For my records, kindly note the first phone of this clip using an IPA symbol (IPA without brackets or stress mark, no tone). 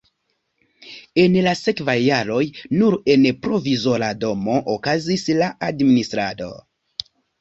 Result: e̞